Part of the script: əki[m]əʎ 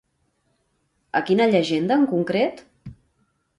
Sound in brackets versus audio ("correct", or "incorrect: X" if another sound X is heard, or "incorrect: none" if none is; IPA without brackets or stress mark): incorrect: n